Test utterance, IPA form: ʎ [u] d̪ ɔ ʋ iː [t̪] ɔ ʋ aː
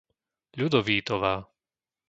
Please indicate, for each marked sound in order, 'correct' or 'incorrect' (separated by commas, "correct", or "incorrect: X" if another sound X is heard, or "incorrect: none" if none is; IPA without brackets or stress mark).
correct, correct